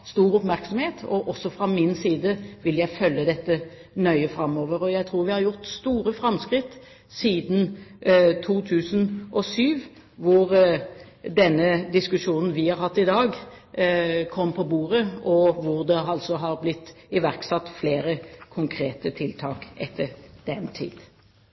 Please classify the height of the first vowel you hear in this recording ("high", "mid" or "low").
high